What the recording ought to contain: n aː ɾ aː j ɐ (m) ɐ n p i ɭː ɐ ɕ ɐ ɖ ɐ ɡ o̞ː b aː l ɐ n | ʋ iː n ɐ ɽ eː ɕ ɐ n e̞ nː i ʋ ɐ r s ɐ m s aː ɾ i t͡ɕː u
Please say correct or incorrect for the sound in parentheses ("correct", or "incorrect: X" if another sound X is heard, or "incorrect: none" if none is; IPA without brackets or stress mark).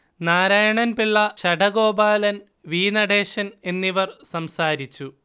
incorrect: ɳ